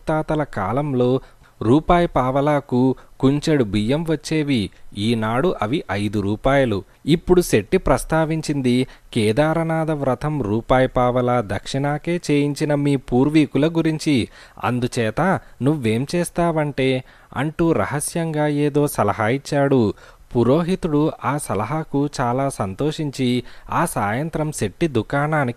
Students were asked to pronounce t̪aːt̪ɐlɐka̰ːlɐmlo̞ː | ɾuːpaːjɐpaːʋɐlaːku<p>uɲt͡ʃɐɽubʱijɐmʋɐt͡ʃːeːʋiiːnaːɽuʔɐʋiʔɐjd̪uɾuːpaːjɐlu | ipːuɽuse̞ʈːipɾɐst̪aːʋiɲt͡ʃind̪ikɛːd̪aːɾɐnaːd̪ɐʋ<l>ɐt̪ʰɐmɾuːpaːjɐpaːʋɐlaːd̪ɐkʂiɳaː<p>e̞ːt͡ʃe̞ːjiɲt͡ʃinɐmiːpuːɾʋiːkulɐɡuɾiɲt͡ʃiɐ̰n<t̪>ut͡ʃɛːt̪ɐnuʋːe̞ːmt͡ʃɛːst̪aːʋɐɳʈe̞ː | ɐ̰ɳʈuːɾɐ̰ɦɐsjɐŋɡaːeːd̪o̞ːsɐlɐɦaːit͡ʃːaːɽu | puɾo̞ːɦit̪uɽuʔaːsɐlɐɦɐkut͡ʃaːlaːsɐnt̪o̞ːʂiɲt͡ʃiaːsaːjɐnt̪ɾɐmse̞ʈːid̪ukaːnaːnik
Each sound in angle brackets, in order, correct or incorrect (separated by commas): incorrect, incorrect, incorrect, incorrect